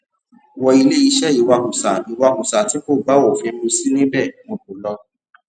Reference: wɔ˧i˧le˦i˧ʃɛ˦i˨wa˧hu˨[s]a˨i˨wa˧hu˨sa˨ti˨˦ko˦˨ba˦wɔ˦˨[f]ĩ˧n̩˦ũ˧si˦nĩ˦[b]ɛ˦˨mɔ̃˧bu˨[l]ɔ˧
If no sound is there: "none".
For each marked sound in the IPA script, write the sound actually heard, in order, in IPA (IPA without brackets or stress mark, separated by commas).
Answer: s, f, b, l